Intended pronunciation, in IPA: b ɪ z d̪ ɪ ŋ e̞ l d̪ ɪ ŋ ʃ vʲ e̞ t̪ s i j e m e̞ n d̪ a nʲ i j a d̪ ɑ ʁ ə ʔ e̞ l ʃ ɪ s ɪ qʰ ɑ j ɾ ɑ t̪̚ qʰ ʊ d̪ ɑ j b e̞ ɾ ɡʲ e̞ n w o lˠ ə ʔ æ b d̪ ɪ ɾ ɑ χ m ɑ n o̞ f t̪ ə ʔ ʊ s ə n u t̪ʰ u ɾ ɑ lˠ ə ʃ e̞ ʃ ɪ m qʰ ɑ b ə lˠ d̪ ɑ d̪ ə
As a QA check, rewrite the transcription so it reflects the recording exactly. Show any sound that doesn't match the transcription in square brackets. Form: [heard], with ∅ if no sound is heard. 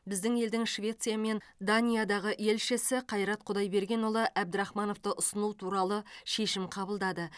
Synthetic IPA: b ɪ z d̪ ɪ ŋ e̞ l d̪ ɪ ŋ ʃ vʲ e̞ t̪ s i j [a] m e̞ n d̪ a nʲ i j a d̪ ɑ ʁ ə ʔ e̞ l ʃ ɪ s ɪ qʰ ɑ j ɾ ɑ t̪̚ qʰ ʊ d̪ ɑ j b e̞ ɾ ɡʲ e̞ n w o lˠ ə ʔ æ b d̪ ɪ ɾ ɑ χ m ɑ n o̞ f t̪ ə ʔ ʊ s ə n u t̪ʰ u ɾ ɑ lˠ ə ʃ e̞ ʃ ɪ m qʰ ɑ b ə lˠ d̪ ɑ d̪ ə